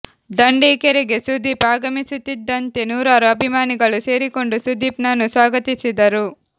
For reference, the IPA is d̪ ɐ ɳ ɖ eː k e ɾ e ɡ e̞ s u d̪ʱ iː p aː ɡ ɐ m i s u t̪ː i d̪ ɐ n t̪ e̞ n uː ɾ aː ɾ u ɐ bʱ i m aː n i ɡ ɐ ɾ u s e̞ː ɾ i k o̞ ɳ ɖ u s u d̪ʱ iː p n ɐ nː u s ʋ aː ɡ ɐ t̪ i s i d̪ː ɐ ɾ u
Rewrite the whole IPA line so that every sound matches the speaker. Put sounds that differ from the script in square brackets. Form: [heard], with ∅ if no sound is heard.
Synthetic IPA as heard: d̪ ɐ ɳ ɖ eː k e ɾ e ɡ e̞ s u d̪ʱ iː p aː ɡ ɐ m i s u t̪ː i [d̪ː] ɐ n t̪ e̞ n uː ɾ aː ɾ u ɐ bʱ i m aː n i ɡ ɐ [ɭ] u s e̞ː ɾ i k o̞ ɳ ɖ u s u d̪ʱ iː p n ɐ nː u s ʋ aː ɡ ɐ t̪ i s i [d̪] ɐ ɾ u